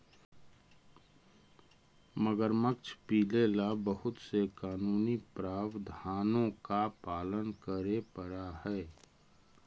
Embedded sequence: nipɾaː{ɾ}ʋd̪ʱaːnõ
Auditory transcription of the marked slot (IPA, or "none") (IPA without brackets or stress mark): none